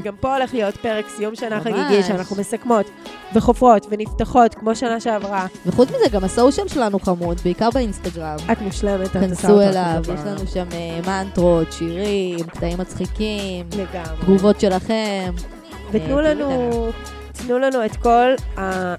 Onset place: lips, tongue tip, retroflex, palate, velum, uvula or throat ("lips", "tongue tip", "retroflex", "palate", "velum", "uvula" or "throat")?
velum